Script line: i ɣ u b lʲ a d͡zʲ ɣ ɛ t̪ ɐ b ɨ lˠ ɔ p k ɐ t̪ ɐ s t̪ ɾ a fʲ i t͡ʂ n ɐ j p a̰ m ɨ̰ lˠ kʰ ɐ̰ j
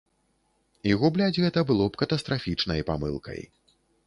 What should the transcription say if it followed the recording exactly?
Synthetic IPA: i ɣ u b lʲ a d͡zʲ ɣ ɛ t̪ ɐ b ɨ lˠ ɔ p k ɐ t̪ ɐ s t̪ ɾ a fʲ i t͡ʂ n ɐ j p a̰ m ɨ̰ lˠ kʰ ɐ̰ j